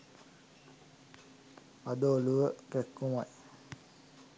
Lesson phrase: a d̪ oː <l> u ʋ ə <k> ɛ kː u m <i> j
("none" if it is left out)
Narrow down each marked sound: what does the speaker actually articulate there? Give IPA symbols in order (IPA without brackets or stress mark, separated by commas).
l, k, a